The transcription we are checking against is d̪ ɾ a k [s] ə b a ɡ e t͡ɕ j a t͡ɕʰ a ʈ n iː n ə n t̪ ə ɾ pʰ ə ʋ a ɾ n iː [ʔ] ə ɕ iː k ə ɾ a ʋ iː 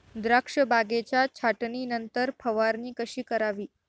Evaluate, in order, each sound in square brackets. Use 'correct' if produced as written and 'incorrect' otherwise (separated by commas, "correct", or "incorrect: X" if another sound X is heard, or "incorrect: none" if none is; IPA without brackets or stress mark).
incorrect: ʂ, incorrect: k